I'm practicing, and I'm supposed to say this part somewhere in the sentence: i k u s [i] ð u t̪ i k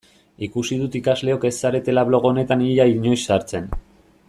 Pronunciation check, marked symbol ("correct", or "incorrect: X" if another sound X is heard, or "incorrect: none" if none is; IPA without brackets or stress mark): correct